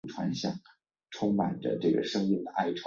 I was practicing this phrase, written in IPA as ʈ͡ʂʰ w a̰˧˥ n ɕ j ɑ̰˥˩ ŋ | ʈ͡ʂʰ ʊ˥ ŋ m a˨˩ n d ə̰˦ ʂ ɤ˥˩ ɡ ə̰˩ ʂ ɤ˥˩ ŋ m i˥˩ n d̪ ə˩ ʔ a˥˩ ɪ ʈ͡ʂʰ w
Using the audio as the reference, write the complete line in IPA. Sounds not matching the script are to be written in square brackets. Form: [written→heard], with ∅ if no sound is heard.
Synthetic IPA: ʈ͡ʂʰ w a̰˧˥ n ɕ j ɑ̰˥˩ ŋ | ʈ͡ʂʰ ʊ˥ ŋ m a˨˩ n d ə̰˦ [ʂ→ʈ͡ʂ] ɤ˥˩ ɡ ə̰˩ ʂ [ɤ˥˩→ɤ˥] ŋ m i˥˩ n d̪ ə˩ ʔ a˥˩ ɪ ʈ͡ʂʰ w